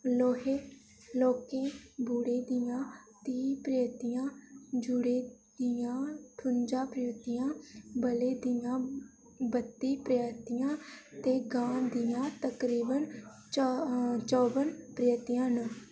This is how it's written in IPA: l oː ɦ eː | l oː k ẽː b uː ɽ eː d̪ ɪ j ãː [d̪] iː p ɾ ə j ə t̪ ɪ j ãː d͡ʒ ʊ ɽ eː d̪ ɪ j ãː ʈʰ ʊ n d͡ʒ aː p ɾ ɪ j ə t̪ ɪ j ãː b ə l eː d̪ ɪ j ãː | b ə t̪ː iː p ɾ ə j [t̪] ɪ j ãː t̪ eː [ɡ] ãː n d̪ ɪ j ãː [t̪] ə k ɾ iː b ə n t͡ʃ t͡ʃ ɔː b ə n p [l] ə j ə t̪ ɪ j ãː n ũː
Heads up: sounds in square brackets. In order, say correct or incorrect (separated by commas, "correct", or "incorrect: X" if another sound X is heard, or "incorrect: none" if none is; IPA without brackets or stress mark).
incorrect: t̪, correct, correct, correct, incorrect: ɾ